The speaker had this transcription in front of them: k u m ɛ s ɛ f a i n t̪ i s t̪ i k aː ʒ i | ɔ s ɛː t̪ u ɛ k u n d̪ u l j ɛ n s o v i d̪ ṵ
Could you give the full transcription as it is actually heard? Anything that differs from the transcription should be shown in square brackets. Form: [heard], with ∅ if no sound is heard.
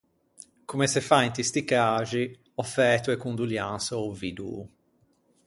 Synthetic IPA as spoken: k u m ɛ s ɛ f a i n t̪ i s t̪ i k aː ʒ i | ɔ [f] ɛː t̪ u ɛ k u n d̪ u l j [a] n s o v i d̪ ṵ